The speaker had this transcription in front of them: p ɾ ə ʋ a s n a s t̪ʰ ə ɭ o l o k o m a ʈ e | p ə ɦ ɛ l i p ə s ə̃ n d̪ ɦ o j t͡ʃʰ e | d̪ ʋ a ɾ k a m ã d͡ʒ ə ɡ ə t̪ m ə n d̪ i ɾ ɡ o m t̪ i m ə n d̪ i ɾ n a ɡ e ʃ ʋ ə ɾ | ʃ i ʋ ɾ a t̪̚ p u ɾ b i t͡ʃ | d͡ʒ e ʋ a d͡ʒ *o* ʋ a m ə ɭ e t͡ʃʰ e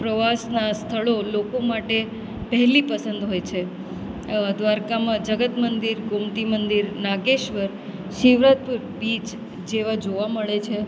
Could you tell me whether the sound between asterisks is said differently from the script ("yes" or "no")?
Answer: no